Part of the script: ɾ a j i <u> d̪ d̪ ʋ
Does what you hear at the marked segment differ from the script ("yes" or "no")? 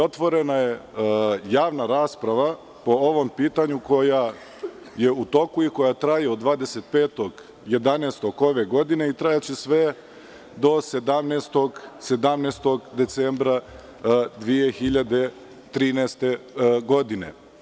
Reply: yes